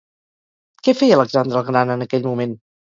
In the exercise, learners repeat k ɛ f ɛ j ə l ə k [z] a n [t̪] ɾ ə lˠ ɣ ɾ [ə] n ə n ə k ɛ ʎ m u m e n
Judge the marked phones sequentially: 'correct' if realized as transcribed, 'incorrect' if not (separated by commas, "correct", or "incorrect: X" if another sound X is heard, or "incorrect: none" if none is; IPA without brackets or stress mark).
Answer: correct, incorrect: d̪, incorrect: a